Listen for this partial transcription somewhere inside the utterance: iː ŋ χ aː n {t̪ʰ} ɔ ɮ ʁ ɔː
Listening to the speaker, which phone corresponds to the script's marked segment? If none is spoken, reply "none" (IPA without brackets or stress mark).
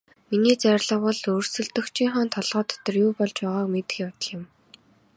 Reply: t̪ʰ